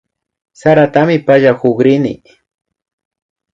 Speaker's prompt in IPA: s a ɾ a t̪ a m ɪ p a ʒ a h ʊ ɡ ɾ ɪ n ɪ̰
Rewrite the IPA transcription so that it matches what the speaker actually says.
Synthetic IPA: s a ɾ a t̪ a m ɪ p a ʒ a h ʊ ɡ ɾ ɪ n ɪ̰